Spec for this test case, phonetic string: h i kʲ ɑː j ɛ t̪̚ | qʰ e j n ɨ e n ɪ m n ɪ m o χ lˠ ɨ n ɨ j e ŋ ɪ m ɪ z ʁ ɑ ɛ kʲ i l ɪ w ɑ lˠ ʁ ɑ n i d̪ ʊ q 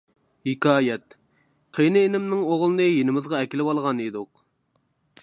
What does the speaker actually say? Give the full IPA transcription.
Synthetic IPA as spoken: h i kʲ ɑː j ɛ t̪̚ | qʰ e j n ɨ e n ɪ m n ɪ ŋ o ʁ lˠ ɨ n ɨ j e n ɪ m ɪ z ʁ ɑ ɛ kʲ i l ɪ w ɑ lˠ ʁ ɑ n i d̪ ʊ q